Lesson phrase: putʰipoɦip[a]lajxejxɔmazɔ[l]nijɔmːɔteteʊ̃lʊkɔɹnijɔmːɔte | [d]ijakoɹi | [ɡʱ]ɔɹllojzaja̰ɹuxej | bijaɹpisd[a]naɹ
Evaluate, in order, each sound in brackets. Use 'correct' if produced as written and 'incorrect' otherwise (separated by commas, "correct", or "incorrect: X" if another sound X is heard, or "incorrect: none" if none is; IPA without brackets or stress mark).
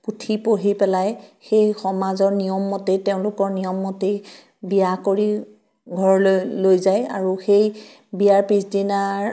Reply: incorrect: ɛ, incorrect: ɹ, incorrect: b, correct, incorrect: i